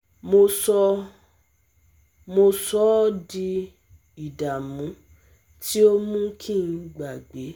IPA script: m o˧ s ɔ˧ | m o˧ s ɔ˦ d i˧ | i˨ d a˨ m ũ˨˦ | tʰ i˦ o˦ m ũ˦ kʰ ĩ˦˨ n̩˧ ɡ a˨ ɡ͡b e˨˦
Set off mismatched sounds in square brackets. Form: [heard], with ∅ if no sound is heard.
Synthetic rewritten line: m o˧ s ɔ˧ | m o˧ s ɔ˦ d i˧ | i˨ d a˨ m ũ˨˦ | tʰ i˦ o˦ m ũ˦ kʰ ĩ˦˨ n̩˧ [ɡ͡b] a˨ ɡ͡b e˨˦